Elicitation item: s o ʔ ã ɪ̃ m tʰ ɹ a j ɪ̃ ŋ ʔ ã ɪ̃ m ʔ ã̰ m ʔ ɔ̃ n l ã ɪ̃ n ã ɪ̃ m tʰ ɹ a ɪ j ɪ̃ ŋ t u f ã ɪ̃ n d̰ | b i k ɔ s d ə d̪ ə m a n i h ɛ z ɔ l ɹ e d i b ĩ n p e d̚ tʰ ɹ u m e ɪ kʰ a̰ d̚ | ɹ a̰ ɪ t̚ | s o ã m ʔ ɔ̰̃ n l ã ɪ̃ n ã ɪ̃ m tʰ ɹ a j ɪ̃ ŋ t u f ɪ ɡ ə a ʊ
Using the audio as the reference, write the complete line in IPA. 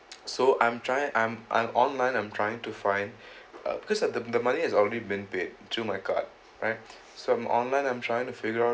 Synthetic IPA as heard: s o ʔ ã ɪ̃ m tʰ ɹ a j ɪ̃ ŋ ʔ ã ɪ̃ m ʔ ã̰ m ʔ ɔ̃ n l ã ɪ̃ n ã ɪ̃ m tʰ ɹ a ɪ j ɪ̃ ŋ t u f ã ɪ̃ n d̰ | b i k ɔ s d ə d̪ ə m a n i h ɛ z ɔ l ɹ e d i b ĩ n p e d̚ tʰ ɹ u m a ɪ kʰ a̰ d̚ | ɹ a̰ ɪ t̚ | s o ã m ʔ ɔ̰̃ n l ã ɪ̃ n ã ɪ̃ m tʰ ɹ a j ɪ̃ ŋ t u f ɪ ɡ ə a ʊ